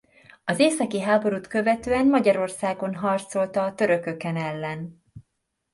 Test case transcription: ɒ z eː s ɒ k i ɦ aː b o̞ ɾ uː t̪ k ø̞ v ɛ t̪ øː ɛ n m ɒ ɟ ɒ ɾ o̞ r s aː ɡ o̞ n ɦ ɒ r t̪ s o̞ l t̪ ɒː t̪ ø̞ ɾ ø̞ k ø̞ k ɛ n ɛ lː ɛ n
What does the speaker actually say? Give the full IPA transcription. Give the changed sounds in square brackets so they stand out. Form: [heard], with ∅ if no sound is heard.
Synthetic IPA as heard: ɒ z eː s ɒ k i ɦ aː b o̞ ɾ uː t̪ k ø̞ v ɛ t̪ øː ɛ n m ɒ ɟ ɒ ɾ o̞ r s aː ɡ o̞ n ɦ ɒ r t̪ s o̞ l t̪ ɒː t̪ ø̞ ɾ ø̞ k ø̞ k ɛ n ɛ lː ɛ n